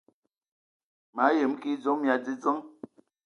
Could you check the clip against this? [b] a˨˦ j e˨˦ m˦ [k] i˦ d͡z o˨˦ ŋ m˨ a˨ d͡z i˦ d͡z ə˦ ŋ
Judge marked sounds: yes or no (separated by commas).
no, yes